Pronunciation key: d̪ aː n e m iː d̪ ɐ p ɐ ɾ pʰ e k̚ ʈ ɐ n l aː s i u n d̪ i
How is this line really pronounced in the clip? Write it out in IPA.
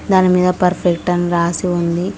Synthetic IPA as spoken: d̪ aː n i m iː d̪ ɐ p ɐ ɾ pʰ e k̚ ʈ ɐ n ɾ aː s i u n d̪ i

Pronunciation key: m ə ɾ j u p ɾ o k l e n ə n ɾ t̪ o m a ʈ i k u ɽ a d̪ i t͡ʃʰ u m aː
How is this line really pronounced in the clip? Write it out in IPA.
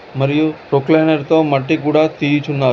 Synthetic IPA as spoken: m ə ɾ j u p ɾ o k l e n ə ɾ t̪ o m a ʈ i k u ɽ a t̪ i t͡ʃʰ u n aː

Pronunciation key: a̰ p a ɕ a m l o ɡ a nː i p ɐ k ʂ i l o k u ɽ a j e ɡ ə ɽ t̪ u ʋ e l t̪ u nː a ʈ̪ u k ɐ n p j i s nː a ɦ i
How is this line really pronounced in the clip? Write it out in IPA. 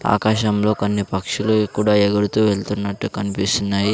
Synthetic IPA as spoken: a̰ k a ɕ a m l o k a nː i p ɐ k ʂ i l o k u ɽ a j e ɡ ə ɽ t̪ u ʋ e l t̪ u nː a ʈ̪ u k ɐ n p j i s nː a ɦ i

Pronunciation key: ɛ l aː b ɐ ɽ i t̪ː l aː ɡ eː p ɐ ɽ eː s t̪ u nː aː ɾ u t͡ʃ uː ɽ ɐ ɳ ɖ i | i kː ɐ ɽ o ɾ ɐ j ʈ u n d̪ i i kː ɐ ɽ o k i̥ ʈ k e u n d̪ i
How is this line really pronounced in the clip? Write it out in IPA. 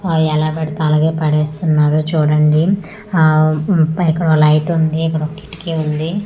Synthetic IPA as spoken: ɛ l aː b ɐ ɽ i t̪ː l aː ɡ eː p ɐ ɽ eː s t̪ u nː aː ɾ u t͡ʃ uː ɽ ɐ ɳ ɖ i | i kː ɐ ɽ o l ɐ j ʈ u n d̪ i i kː ɐ ɽ o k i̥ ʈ k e u n d̪ i

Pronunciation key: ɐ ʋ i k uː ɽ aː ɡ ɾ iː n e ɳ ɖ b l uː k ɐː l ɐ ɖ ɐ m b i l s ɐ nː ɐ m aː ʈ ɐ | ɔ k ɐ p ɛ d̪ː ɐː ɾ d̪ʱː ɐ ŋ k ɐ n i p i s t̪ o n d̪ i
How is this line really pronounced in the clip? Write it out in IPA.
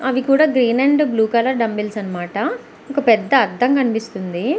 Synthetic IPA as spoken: ɐ ʋ i k uː ɽ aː ɡ ɾ iː n e ɳ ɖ b l uː k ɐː l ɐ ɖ ɐ m b i l s ɐ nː ɐ m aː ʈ ɐ | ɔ k ɐ p ɛ d̪ː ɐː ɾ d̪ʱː ɐ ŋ k ɐ n i p i s t̪ u n d̪ i

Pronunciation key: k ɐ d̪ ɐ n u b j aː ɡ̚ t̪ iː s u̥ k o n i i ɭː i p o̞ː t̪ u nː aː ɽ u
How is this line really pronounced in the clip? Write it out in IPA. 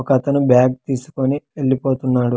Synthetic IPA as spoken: k ɐ t̪ ɐ n u b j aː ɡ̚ t̪ iː s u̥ k o n i e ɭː i p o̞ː t̪ u nː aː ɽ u

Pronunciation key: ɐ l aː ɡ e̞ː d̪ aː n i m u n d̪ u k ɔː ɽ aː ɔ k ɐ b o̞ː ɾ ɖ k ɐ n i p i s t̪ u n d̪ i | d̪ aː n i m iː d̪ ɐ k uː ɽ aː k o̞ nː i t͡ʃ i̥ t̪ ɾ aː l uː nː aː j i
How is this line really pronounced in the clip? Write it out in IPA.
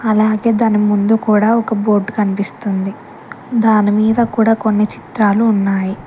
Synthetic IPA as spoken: ɐ l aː ɡ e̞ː d̪ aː n i m u n d̪ u k uː ɽ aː ɔ k ɐ b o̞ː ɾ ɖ k ɐ n i p i s t̪ u n d̪ i | d̪ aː n i m iː d̪ ɐ k uː ɽ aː k o̞ nː i t͡ʃ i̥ t̪ ɾ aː l uː nː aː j i

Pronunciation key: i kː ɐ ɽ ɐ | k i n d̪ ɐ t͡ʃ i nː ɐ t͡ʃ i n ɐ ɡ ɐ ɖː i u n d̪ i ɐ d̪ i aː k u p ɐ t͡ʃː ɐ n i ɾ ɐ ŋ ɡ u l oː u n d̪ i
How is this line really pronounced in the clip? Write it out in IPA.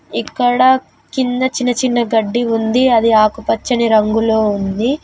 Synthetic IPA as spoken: i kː ɐ ɽ ɐ | k i n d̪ ɐ t͡ʃ i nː ɐ t͡ʃ i nː ɐ ɡ ɐ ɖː i u n d̪ i ɐ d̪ i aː k u p ɐ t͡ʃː ɐ n i ɾ ɐ ŋ ɡ u l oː u n d̪ i

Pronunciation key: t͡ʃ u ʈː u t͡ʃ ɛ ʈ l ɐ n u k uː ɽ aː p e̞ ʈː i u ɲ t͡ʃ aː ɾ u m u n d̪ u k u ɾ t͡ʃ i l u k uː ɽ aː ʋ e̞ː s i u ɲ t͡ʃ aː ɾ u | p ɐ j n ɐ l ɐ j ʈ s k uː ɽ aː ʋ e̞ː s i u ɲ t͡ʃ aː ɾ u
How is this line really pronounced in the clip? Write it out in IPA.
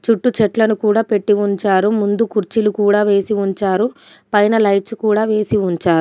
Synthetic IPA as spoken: t͡ʃ u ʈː u t͡ʃ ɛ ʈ l ɐ n u k uː ɽ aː p e̞ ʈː i u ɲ t͡ʃ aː ɾ u m u n d̪ u k u ɾ t͡ʃ i l u k uː ɽ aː ʋ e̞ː s i u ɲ t͡ʃ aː ɾ u | p ɐ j n ɐ l ɐ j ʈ s k uː ɽ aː ʋ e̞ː s i u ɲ t͡ʃ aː ɾ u

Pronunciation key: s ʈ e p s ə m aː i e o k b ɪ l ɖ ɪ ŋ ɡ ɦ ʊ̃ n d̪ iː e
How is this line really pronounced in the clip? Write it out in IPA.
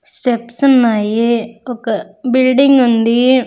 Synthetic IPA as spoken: s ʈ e p s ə n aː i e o k b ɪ l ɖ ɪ ŋ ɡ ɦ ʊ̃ n d̪ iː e

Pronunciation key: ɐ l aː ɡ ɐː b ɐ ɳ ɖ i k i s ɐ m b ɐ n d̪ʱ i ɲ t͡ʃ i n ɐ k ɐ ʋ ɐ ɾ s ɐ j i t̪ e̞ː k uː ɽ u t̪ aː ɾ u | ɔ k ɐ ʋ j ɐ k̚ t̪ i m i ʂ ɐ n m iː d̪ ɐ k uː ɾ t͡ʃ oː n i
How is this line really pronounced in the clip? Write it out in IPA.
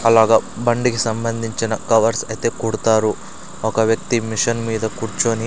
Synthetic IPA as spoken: ɐ l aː ɡ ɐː b ɐ ɳ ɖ i k i s ɐ m b ɐ n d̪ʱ i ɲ t͡ʃ i n ɐ k ɐ ʋ ɐ ɾ s ɐ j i t̪ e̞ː k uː ɽ u t̪ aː ɾ u | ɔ k ɐ ʋ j ɐ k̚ t̪ i m i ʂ ɐ n m iː d̪ ɐ k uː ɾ t͡ʃ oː n i

